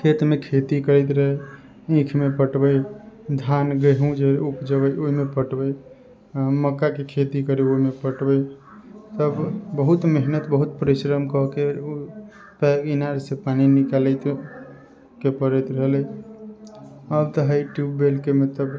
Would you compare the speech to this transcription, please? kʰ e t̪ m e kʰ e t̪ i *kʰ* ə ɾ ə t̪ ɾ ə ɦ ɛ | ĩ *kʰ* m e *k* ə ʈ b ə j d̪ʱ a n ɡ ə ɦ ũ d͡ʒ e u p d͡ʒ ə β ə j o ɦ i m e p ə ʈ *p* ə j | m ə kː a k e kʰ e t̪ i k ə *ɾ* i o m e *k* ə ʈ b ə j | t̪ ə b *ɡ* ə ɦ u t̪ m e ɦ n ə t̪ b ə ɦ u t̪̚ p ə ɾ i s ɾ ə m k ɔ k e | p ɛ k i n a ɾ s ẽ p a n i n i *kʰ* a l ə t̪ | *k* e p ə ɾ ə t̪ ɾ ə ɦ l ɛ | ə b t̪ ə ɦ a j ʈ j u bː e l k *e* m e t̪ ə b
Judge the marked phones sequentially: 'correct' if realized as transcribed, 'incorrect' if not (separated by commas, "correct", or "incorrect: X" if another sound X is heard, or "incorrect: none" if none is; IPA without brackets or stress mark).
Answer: incorrect: k, correct, incorrect: p, incorrect: b, correct, incorrect: p, incorrect: b, incorrect: k, correct, correct